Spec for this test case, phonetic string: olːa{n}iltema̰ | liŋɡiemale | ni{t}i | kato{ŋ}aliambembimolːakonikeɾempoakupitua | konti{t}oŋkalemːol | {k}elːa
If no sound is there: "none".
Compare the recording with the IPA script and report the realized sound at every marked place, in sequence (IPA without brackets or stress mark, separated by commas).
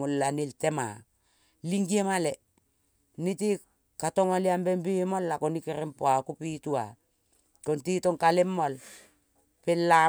n, t, ŋ, t, p